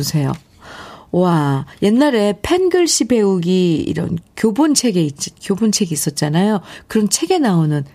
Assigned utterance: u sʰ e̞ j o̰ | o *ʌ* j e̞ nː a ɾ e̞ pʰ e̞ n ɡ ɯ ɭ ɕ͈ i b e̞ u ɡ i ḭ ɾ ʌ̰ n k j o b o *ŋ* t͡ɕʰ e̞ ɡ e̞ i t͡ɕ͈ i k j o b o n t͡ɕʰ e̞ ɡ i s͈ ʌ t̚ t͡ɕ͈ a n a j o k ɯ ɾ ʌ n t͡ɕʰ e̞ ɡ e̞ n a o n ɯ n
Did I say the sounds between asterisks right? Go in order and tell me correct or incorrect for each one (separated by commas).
incorrect, incorrect